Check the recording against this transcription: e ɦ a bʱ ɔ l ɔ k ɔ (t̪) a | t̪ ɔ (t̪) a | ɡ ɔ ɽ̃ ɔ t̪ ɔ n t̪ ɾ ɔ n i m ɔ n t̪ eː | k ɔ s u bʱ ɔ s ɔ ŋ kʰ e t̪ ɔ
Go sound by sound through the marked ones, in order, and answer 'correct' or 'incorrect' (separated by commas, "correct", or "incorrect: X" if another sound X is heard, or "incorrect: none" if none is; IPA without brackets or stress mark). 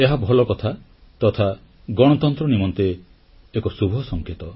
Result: incorrect: t̪ʰ, incorrect: t̪ʰ